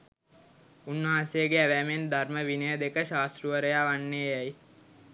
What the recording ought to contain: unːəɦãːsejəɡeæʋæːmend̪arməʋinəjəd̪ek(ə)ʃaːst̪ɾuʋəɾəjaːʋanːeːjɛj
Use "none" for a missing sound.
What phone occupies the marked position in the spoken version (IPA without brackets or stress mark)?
ə